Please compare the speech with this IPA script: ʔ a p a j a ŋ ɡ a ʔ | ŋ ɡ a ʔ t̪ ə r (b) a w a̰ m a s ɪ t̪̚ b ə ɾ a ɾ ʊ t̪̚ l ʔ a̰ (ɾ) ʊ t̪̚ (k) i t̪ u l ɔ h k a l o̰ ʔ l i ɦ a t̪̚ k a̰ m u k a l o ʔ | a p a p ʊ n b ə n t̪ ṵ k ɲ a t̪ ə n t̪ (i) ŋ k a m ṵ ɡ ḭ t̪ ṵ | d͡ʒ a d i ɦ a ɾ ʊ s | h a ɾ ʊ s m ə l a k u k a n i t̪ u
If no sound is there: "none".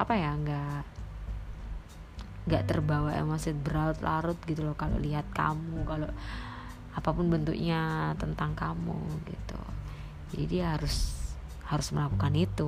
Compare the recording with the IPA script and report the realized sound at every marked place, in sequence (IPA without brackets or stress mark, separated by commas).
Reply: b, ɾ, ɡ, a